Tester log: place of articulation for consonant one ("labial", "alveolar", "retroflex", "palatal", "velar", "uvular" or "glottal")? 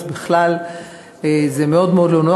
labial